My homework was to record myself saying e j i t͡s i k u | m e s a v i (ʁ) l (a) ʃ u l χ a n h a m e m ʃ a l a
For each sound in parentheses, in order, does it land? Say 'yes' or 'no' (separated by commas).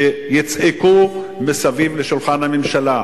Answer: no, no